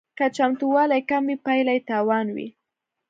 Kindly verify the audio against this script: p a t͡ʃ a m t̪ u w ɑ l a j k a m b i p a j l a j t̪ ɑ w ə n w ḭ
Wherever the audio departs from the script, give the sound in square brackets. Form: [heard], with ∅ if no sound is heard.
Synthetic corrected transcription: [k] a t͡ʃ a m t̪ u w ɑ l a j k a m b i p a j l a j t̪ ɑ w [ɑ] n w ḭ